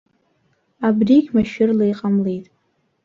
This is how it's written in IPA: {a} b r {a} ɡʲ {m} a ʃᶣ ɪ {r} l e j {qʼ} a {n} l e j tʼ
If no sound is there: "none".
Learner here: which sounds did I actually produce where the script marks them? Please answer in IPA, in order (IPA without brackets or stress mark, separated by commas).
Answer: a, i, m, r, qʼ, m